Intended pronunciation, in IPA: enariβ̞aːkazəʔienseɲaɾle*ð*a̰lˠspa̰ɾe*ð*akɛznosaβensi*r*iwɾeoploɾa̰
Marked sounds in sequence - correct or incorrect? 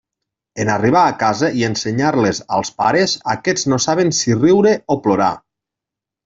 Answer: incorrect: z, incorrect: z, correct

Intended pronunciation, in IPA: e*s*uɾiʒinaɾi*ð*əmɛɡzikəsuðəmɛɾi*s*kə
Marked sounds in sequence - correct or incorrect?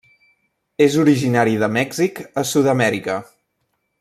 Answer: incorrect: z, correct, incorrect: none

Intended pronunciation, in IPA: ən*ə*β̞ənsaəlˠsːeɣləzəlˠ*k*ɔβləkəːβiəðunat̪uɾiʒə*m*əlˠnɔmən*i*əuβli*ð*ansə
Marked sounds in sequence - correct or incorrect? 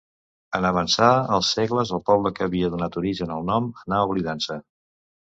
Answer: correct, incorrect: p, incorrect: n, incorrect: a, correct

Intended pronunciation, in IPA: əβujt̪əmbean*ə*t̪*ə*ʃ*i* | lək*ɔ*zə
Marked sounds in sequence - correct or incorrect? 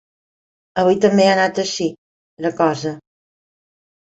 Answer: incorrect: a, correct, correct, correct

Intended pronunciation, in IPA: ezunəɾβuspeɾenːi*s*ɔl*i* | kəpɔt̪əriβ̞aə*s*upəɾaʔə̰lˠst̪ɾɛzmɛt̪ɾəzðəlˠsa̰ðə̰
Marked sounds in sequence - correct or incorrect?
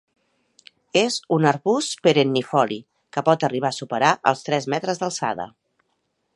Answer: incorrect: f, correct, correct

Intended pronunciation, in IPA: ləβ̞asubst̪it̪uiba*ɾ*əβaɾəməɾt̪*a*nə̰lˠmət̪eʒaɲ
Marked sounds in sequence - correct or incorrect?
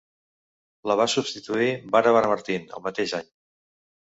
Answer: correct, incorrect: i

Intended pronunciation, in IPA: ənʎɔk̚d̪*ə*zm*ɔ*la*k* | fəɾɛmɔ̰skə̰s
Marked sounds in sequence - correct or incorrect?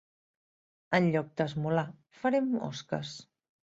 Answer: correct, incorrect: u, incorrect: none

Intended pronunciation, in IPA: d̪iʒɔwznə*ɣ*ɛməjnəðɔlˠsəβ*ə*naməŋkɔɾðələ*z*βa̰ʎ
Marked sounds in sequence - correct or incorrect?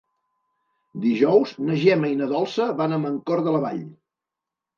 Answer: incorrect: ʒ, incorrect: a, incorrect: none

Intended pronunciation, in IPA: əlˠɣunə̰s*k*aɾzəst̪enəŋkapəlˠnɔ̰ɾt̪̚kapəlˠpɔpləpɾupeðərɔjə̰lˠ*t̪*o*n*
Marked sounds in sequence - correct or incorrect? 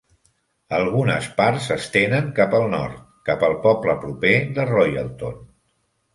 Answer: incorrect: p, correct, correct

